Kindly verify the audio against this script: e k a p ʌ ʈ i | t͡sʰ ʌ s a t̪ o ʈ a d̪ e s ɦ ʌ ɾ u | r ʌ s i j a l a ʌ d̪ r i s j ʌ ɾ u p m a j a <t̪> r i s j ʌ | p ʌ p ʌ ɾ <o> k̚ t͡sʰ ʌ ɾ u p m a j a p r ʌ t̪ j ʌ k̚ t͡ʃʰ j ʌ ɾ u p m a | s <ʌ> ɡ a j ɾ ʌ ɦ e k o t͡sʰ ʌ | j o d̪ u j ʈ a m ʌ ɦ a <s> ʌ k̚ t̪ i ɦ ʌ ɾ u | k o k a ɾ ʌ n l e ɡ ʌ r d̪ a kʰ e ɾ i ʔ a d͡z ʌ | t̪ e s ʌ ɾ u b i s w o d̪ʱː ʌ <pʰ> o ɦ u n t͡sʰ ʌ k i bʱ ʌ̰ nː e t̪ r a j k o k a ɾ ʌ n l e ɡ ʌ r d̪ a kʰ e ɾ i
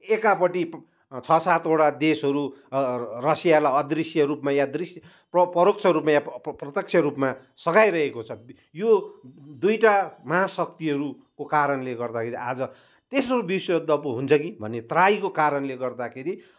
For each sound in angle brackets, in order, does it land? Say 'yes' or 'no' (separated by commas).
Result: no, yes, yes, yes, no